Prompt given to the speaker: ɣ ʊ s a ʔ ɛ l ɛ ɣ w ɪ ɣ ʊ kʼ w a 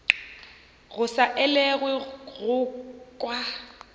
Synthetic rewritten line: ɣ ʊ s a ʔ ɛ l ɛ ɣ w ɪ ɣ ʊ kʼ w a